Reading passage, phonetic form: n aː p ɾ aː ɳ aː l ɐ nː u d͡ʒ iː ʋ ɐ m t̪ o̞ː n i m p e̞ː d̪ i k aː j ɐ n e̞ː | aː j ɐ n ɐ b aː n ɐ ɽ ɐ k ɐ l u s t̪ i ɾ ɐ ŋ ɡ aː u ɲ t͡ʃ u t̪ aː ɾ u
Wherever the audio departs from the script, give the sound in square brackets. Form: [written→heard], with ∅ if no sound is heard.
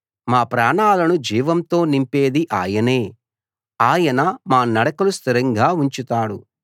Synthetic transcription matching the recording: [n→m] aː p ɾ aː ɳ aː l ɐ [nː→n] u d͡ʒ iː ʋ ɐ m t̪ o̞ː n i m p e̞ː d̪ i [k→ʔ] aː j ɐ n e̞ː | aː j ɐ n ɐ [b→m] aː n ɐ ɽ ɐ k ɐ l u s t̪ i ɾ ɐ ŋ ɡ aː u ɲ t͡ʃ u t̪ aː [ɾ→ɽ] u